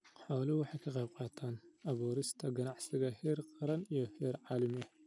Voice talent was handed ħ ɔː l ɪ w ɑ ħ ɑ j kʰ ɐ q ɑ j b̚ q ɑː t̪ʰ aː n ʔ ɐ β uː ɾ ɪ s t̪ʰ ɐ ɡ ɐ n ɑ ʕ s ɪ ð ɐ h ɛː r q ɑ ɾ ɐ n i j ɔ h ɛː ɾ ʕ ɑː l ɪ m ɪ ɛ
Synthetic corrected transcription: ħ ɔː l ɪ w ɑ ħ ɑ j kʰ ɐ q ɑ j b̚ q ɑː t̪ʰ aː n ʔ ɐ β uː ɾ ɪ s t̪ʰ ɐ ɡ ɐ n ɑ ʕ s ɪ ɣ ɐ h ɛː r q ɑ ɾ ɐ n i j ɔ h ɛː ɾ ʕ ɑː l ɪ m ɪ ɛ